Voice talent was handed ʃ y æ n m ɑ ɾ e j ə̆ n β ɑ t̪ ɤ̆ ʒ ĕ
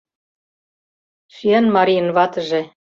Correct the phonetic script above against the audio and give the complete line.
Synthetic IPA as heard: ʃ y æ n m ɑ ɾ i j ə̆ n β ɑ t̪ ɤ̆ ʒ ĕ